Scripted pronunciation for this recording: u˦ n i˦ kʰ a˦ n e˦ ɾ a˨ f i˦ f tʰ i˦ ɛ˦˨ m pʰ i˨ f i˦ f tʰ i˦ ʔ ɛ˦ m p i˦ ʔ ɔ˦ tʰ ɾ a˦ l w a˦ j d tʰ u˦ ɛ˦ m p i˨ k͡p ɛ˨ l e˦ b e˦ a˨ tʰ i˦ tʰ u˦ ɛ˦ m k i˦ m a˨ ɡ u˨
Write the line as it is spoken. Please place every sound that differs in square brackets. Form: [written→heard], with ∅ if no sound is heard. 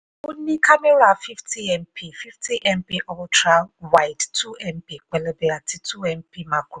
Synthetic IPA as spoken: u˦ n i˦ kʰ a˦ [n→m] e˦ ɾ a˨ f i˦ f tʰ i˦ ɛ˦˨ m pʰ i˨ f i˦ f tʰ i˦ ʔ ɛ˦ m p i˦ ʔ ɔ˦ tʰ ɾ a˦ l w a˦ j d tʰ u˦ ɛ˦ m p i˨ k͡p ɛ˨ l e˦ b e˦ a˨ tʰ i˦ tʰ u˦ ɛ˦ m [k→p] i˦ m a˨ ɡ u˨

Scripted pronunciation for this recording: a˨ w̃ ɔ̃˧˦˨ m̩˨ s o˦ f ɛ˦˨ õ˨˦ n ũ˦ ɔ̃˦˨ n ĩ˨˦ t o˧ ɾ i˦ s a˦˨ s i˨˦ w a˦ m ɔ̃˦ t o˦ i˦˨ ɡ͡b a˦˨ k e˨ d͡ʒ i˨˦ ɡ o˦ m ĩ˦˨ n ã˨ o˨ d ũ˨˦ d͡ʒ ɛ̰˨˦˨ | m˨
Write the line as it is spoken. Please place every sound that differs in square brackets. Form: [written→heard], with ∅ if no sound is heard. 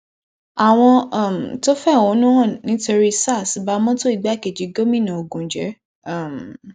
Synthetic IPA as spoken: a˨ w̃ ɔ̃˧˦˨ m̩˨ [s→t] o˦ f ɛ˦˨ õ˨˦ n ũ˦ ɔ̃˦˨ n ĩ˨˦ t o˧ ɾ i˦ s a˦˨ s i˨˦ [w→b] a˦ m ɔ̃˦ t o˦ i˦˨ ɡ͡b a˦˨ k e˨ d͡ʒ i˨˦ ɡ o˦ m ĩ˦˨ n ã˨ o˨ [d→ɡ] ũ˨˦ d͡ʒ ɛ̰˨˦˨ | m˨

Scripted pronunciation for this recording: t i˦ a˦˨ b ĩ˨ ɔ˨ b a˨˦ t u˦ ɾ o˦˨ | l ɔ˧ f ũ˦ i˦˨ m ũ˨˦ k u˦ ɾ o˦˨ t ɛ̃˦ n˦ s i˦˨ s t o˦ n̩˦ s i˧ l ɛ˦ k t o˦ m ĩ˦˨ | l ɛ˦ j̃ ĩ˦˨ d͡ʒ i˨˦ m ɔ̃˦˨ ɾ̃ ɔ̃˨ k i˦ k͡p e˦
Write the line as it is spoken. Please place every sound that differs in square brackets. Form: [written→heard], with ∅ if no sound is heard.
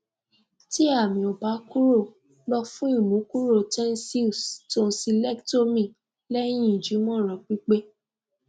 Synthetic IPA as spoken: t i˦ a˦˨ [b→m] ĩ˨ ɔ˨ b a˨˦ [t→k] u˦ ɾ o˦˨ | l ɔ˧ f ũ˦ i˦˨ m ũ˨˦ k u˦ ɾ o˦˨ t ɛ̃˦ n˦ s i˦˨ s t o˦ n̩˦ s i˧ l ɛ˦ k t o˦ m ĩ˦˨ | l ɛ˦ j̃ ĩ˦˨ d͡ʒ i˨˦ m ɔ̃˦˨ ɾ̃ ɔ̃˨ [k→k͡p] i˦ k͡p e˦

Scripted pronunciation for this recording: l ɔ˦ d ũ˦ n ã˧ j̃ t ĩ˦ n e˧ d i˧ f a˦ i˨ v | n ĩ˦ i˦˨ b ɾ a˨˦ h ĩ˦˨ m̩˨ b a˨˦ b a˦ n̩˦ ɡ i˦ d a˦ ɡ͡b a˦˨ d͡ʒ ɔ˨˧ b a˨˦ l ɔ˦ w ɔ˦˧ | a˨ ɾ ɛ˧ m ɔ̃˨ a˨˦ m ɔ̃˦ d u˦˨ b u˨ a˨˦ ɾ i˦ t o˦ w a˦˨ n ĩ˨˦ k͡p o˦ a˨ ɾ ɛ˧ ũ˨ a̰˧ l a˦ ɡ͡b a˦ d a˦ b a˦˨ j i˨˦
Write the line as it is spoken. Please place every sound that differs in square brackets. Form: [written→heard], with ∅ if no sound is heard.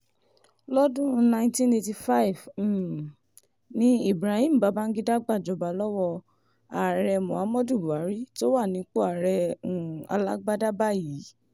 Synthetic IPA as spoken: l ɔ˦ d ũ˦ n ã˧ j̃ t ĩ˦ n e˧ [d→t] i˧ f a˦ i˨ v | n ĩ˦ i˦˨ b ɾ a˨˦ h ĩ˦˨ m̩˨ b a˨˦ b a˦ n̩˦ ɡ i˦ d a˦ ɡ͡b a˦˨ d͡ʒ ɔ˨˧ b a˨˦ l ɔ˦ w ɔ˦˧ | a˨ ɾ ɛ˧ m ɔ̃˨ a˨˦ m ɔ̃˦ d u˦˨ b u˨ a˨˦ ɾ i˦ t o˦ w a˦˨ n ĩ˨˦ k͡p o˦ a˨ ɾ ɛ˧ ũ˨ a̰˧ l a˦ ɡ͡b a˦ d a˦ b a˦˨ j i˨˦

